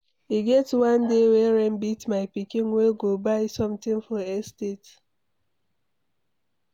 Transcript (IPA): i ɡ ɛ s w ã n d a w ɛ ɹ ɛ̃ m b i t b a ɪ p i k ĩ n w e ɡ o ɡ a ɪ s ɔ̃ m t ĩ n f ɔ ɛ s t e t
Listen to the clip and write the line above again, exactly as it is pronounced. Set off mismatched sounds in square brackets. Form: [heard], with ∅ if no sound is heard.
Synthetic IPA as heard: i ɡ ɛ [t] w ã n d [e] w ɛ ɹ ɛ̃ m b i t [m] a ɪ p i k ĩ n w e ɡ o [b] a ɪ s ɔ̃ m t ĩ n f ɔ ɛ s t e t